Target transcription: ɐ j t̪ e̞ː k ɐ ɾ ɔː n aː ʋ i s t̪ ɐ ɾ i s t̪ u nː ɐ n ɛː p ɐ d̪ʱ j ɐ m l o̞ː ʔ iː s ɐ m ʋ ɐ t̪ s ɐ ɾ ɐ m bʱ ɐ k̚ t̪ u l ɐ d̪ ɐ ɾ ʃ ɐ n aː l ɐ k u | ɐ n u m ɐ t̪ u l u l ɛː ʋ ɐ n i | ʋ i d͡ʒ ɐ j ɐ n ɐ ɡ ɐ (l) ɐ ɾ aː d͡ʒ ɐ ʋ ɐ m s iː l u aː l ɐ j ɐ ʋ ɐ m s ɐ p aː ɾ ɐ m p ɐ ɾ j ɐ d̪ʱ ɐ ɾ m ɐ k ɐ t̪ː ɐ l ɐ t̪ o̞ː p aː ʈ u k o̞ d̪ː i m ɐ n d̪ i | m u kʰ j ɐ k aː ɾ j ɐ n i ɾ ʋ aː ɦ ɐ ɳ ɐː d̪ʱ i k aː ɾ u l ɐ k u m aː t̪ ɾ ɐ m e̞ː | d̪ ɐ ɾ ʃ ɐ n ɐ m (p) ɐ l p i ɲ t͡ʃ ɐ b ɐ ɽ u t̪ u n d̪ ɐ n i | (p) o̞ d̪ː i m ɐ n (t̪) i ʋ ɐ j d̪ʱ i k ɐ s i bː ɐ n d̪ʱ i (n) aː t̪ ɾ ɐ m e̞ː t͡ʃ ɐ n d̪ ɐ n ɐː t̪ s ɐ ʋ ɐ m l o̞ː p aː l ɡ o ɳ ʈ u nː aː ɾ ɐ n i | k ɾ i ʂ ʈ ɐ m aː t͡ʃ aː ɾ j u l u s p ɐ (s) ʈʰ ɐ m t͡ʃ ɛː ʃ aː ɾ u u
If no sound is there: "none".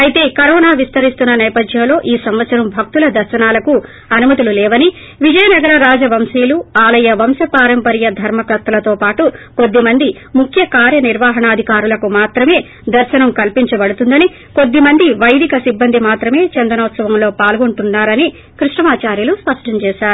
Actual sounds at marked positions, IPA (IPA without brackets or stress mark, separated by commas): ɾ, k, k, d̪, m, ʂ